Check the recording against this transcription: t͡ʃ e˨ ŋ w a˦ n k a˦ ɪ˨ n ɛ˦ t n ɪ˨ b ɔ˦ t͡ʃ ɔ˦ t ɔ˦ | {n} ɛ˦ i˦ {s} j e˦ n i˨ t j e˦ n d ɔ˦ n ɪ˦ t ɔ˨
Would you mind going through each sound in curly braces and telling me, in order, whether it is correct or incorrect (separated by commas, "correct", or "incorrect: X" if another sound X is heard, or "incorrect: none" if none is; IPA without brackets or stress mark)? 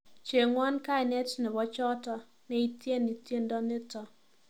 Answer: correct, incorrect: t